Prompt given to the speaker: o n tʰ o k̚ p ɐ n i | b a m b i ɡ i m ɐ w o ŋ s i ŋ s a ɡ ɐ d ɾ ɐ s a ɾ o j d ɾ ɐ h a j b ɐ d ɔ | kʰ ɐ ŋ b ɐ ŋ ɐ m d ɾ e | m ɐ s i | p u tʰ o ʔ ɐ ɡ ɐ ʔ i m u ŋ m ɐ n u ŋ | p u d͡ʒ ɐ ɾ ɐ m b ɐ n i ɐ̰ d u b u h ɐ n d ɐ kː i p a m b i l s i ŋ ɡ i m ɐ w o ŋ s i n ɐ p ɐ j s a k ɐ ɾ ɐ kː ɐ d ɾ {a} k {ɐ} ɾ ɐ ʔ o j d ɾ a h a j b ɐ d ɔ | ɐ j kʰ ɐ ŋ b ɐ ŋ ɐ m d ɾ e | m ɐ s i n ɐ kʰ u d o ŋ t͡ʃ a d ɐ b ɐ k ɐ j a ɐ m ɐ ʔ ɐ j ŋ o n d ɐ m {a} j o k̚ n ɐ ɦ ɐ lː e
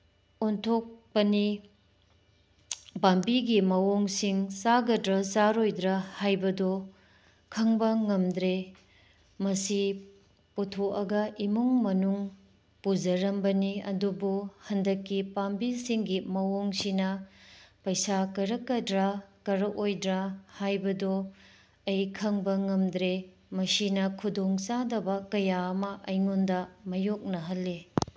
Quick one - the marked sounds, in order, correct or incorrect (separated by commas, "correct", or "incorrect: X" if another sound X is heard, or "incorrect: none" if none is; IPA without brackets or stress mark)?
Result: correct, correct, incorrect: ɐ